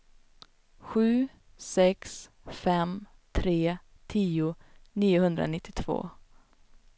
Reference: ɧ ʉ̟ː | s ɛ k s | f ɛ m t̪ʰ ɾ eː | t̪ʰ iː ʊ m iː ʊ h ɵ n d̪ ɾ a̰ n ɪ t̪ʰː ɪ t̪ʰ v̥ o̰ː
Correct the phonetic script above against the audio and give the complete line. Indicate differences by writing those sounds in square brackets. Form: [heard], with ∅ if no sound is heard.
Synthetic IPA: ɧ ʉ̟ː | s ɛ k s | f ɛ m t̪ʰ ɾ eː | t̪ʰ iː ʊ [n] iː ʊ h ɵ n d̪ ɾ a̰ n ɪ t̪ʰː ɪ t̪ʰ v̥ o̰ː